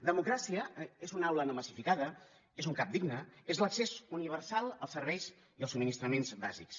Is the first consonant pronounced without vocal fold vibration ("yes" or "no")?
no